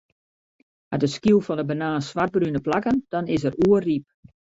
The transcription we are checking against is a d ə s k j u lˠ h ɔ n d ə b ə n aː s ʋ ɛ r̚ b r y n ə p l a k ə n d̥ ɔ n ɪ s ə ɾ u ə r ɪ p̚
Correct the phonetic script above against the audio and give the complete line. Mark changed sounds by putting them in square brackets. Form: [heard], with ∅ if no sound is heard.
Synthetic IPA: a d ə s k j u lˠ [f] ɔ n d ə b ə n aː s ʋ [a] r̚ b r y n ə p l a k ə n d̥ ɔ n ɪ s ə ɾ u ə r [i] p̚

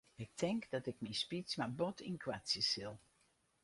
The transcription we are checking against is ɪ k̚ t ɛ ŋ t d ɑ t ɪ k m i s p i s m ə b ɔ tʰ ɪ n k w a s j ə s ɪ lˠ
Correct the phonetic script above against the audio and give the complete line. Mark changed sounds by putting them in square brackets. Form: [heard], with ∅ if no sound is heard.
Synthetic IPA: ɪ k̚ t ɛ ŋ [k] d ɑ t ɪ k m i s p i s m [a] b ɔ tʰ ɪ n k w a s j ə s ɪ lˠ

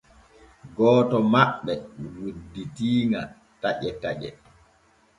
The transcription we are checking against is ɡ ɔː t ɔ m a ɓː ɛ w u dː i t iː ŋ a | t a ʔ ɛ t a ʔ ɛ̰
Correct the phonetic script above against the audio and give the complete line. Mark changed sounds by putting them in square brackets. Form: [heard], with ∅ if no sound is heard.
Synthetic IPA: ɡ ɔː t ɔ m a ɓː ɛ w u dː i t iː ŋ a | t a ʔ ɛ t a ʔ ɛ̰

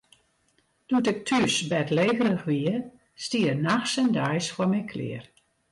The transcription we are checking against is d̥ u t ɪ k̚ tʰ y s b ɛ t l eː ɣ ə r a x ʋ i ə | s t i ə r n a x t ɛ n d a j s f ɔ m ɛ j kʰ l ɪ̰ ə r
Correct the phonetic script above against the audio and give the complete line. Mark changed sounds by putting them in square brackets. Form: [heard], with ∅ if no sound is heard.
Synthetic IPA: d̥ u t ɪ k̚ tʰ y s b ɛ t l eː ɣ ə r [ə] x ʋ i ə | s t i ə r n a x [s] ɛ n d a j s f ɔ m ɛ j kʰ l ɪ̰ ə r

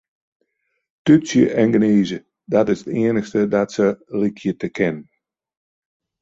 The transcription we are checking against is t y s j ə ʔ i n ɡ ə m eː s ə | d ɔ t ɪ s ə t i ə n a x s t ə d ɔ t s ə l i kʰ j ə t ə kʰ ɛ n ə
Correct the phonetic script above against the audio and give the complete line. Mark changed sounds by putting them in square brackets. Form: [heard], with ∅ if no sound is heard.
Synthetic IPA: t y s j ə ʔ [ɛ] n ɡ ə [n] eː [z] ə | d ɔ t ɪ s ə t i ə n [ə] x s t ə d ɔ t s ə l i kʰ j ə t ə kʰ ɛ n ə

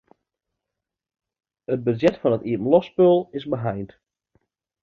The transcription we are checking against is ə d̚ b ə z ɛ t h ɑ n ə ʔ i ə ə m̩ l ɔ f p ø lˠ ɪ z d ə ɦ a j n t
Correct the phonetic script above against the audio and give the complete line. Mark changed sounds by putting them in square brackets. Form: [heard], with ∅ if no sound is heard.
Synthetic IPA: ə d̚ b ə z ɛ t [f] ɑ n ə [t] i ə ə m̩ l ɔ [s] p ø lˠ ɪ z [b] ə ɦ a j n t

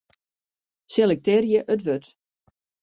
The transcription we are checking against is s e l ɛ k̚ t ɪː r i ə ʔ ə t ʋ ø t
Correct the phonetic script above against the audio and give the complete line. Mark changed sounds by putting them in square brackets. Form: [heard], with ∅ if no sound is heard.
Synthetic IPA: s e l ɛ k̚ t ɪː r [j] ə ʔ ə t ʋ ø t

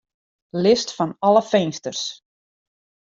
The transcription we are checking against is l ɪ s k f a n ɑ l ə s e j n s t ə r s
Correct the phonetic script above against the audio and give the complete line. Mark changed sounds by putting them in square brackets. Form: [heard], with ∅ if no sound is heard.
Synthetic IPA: l ɪ s [t] f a n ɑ l ə [f] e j n s t ə r s

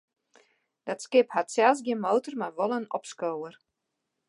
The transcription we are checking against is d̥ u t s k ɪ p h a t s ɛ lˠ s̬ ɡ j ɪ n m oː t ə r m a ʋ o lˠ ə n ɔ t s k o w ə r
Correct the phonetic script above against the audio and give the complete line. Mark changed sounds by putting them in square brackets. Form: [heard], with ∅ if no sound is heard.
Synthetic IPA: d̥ [ɔ] t s k ɪ p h a t s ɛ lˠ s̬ ɡ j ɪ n m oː t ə r m a ʋ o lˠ ə n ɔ [p] s k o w ə r

